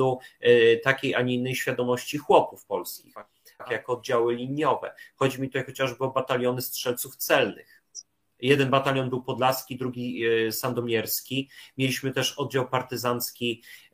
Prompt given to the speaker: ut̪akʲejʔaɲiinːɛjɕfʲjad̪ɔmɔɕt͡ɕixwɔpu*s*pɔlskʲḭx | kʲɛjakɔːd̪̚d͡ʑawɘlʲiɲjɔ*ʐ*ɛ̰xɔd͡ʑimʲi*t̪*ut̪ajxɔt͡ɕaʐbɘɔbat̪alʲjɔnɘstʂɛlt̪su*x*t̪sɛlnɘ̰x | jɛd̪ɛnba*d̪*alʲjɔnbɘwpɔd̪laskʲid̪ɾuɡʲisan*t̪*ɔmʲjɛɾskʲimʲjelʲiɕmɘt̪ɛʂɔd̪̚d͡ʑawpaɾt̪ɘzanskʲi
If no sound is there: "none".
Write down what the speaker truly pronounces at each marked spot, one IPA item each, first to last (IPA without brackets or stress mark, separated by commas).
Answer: f, v, t̪, f, t̪, d̪